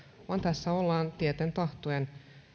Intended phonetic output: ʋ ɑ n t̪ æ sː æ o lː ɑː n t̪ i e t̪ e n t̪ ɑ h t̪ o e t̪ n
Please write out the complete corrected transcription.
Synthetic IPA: ʋ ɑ n t̪ æ sː æ o lː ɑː n t̪ i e t̪ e n t̪ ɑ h t̪ o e n